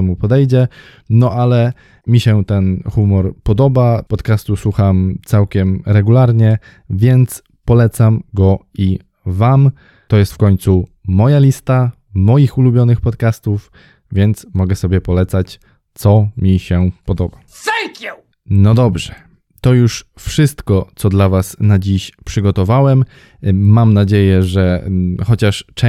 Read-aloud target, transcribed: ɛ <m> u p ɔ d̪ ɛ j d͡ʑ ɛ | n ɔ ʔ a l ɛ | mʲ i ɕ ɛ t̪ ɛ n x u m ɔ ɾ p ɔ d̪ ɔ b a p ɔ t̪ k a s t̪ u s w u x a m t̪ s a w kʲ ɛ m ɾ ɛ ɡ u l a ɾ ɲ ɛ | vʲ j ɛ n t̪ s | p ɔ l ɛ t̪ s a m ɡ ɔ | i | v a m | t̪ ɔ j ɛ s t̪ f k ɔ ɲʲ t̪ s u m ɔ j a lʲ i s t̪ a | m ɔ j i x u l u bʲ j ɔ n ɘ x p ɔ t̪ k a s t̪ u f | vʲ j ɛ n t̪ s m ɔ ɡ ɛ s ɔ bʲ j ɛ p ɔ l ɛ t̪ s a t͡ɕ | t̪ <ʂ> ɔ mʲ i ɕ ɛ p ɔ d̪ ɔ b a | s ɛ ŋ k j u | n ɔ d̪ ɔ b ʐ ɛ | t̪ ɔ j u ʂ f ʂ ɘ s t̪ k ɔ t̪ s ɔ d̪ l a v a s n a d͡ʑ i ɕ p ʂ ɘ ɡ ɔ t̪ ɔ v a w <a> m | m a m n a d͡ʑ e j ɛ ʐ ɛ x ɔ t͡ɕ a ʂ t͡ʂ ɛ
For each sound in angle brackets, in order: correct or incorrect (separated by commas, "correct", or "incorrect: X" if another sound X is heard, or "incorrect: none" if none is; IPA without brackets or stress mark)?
correct, incorrect: s, incorrect: ɛ